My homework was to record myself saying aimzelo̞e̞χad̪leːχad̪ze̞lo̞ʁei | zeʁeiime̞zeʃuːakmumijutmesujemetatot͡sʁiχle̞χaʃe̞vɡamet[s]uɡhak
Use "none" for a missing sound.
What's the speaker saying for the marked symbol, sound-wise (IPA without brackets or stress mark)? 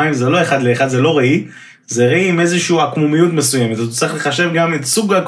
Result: s